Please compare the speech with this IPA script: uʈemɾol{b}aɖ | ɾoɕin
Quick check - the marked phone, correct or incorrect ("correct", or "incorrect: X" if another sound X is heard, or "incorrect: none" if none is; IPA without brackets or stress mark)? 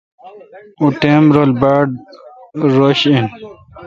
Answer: correct